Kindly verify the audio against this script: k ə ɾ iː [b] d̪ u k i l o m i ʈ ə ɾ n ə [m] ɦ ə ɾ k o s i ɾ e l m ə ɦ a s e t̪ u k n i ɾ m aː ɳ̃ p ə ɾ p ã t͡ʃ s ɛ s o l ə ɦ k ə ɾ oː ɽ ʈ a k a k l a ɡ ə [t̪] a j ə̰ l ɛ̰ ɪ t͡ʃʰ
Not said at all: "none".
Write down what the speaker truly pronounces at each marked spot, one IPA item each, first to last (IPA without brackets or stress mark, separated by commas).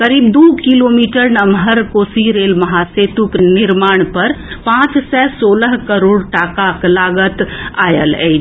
b, m, t̪